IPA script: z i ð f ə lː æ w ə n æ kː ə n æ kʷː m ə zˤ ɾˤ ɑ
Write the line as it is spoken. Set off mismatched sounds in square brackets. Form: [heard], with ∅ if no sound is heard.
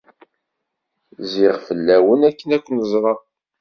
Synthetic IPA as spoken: z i [ʁ] f ə lː æ w ə n æ kː ə n æ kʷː [n] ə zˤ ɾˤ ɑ